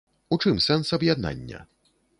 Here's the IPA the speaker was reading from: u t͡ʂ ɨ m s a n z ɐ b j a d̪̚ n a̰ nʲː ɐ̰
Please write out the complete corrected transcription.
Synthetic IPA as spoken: u t͡ʂ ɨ m s ɛ n s ɐ b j a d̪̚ n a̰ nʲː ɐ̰